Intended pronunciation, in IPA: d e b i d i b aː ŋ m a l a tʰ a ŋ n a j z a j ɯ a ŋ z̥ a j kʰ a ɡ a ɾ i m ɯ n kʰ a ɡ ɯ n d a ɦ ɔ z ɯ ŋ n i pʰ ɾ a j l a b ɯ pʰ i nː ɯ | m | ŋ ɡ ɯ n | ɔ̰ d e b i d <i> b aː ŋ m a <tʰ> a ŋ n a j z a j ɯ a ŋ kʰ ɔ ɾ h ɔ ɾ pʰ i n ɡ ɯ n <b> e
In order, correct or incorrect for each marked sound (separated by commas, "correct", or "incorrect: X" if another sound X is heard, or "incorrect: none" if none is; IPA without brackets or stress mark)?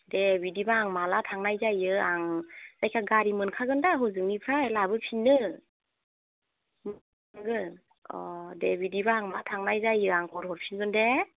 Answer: correct, correct, incorrect: d